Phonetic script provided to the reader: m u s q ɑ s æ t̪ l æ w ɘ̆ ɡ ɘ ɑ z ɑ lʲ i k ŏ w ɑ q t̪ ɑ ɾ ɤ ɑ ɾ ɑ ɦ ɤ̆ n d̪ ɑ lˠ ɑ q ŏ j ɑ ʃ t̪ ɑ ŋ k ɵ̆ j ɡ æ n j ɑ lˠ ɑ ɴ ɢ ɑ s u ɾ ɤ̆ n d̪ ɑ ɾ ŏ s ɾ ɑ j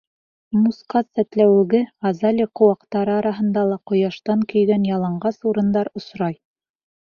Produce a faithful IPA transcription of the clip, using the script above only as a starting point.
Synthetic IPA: m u s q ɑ s æ t̪ l æ w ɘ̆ ɡ ɘ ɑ z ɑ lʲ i q ŏ w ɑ q t̪ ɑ ɾ ɤ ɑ ɾ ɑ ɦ ɤ̆ n d̪ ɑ lˠ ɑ q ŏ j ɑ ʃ t̪ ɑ ŋ k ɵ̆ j ɡ æ n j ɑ lˠ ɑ ɴ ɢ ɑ s u ɾ ɤ̆ n d̪ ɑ ɾ ŏ s ɾ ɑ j